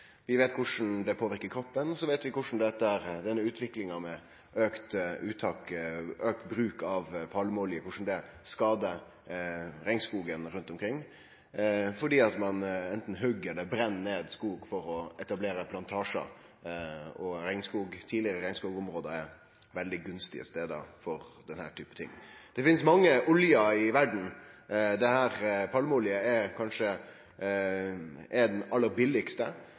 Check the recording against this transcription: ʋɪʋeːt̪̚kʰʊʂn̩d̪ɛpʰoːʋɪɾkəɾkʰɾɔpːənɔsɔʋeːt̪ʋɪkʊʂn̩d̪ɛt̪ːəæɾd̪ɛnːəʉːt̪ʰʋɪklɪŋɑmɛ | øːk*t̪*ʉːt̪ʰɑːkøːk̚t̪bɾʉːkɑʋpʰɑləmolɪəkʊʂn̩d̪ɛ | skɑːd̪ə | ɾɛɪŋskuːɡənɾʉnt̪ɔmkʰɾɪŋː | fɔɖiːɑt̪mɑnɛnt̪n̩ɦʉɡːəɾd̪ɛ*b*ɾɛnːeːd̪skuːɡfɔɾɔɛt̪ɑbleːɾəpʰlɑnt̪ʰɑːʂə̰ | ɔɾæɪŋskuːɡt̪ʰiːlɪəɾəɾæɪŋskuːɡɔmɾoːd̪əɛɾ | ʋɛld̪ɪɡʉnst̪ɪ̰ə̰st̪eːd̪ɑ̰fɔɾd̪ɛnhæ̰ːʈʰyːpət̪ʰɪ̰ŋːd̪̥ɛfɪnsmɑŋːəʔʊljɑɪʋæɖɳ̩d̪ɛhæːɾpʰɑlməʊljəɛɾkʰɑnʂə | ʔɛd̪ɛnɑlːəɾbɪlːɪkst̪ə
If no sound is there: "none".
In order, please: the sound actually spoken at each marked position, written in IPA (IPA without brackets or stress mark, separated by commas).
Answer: t̪, b